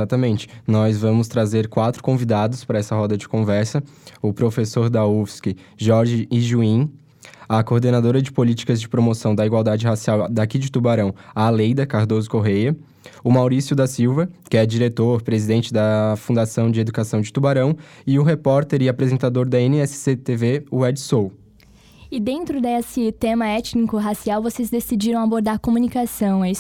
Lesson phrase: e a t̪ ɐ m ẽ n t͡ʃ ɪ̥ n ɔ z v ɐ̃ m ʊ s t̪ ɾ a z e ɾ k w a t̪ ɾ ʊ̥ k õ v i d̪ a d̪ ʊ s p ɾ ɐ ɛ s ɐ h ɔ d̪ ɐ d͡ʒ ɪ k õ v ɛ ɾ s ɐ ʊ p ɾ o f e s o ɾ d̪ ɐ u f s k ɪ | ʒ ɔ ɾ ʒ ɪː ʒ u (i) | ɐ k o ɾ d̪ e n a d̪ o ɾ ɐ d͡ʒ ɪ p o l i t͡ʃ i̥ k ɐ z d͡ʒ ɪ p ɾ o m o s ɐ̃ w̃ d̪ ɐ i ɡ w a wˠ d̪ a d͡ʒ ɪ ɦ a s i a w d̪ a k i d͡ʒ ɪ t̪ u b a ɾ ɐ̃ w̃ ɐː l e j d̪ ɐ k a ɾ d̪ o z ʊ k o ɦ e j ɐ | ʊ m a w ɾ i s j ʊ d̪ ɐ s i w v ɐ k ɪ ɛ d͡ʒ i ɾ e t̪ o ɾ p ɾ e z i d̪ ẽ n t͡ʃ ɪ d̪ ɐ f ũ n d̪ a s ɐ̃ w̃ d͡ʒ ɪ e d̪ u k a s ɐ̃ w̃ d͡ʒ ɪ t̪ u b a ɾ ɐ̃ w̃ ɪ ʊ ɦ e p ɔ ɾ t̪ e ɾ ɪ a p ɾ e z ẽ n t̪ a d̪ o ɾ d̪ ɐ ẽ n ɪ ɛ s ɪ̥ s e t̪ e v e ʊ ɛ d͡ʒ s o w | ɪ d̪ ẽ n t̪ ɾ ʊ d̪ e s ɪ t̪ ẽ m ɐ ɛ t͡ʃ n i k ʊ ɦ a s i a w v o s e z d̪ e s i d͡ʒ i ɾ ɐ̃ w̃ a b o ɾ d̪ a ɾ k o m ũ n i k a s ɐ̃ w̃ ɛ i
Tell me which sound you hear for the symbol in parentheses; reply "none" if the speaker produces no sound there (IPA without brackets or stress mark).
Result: ĩ